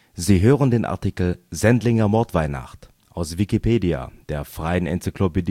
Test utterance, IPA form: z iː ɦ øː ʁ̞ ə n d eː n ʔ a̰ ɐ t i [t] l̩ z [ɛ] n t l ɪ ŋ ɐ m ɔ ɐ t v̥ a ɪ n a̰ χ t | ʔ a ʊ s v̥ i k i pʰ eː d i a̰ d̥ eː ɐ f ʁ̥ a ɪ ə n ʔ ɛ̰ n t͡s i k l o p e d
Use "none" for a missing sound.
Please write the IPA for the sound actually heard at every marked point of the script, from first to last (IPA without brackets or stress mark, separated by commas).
k, ɛ